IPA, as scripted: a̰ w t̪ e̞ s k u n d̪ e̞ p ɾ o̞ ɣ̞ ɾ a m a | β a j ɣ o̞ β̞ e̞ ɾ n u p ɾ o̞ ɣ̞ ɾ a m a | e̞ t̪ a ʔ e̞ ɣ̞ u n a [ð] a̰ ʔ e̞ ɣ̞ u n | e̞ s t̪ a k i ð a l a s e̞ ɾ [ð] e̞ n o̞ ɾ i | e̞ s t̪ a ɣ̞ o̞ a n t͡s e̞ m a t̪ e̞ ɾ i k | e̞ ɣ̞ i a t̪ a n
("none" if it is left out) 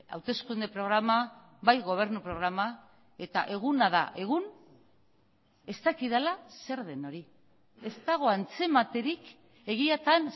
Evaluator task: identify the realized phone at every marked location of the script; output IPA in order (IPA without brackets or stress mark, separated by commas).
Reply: ð, ð